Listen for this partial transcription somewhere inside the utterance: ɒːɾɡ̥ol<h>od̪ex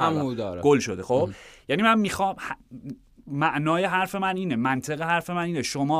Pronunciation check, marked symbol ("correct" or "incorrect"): incorrect